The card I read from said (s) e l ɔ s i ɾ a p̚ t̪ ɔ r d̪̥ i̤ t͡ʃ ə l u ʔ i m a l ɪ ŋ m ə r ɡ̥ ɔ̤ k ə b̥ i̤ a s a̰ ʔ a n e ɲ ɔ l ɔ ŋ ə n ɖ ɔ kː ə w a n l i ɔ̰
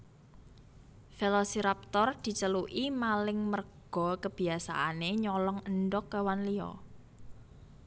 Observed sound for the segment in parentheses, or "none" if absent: f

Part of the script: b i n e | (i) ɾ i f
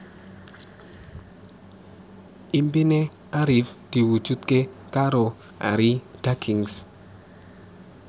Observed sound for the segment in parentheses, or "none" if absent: a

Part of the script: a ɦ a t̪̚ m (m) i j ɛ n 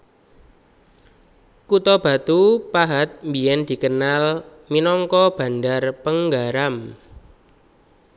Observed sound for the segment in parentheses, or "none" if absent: b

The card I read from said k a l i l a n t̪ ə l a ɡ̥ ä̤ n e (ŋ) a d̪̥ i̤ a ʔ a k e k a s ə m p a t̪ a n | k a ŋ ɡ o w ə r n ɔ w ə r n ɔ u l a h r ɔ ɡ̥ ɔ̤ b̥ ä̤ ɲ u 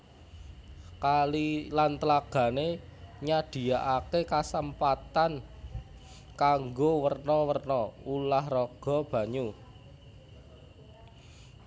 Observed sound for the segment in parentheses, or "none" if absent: ɲ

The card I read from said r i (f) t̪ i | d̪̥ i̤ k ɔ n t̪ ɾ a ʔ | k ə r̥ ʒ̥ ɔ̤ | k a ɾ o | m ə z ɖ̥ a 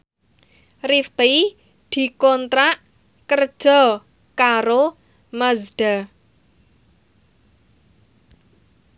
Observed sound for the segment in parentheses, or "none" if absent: f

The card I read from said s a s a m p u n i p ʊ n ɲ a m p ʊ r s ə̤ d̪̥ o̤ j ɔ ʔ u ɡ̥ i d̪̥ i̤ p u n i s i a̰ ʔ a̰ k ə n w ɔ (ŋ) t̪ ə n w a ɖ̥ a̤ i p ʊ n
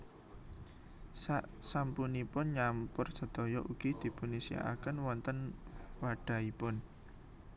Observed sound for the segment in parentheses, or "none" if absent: n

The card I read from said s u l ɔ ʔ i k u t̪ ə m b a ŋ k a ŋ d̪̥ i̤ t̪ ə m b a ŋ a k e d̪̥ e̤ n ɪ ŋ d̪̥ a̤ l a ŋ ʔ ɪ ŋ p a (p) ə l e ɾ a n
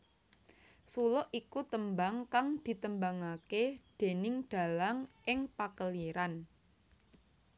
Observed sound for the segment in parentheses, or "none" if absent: k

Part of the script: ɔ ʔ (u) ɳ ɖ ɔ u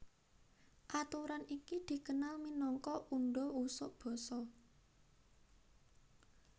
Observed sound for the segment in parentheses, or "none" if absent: u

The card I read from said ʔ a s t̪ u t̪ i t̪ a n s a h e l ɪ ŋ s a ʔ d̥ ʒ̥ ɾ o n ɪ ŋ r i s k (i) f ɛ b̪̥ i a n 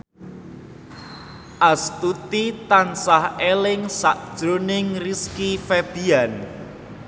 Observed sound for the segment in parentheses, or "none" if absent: i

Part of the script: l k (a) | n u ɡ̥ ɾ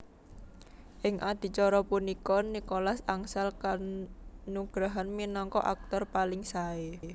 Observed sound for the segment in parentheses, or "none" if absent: a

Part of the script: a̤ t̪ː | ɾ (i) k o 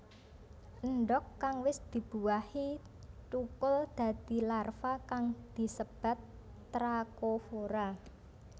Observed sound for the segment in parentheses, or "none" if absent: a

